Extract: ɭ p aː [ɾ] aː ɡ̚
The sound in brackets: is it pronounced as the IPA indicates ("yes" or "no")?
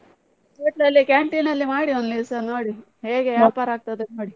yes